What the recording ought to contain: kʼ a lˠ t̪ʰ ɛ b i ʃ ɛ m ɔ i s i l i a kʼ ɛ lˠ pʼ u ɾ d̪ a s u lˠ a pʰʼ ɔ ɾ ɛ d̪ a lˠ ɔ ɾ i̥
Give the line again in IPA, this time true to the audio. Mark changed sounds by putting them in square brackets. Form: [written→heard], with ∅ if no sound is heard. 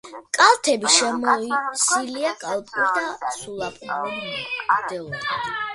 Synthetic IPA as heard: kʼ a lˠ t̪ʰ ɛ b i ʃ ɛ m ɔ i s i l i a kʼ [ɛ→a] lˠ pʼ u ɾ d̪ a s u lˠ a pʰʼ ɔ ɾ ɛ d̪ [a→ɛ] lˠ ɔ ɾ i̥